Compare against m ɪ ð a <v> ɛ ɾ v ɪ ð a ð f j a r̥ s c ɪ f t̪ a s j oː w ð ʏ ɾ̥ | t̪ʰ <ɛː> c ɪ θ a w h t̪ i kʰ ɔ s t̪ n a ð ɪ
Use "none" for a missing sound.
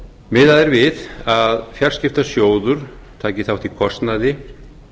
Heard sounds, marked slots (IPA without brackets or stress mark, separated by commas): ð, aː